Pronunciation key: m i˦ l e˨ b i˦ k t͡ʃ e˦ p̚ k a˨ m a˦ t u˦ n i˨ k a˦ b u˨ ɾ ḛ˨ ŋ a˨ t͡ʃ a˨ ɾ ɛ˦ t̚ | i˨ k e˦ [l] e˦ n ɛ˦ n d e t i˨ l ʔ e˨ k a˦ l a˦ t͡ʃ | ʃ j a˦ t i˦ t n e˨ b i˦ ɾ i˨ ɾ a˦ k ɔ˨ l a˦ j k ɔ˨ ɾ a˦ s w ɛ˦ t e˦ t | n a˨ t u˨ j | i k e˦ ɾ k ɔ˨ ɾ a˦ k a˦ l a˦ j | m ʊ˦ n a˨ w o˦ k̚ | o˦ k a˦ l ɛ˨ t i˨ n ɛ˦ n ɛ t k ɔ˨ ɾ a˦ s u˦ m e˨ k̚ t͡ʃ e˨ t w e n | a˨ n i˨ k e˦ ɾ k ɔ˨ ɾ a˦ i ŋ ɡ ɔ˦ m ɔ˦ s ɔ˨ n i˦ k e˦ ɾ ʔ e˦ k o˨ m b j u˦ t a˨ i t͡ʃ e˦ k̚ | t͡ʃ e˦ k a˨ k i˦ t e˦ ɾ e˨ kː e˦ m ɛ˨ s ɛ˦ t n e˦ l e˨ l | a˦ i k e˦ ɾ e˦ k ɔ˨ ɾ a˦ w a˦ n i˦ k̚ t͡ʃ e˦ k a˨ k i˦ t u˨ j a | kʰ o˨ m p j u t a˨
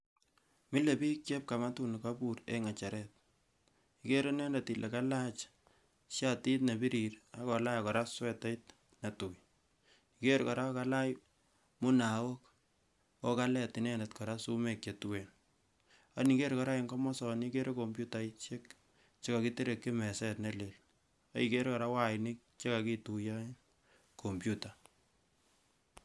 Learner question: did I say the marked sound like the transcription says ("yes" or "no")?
no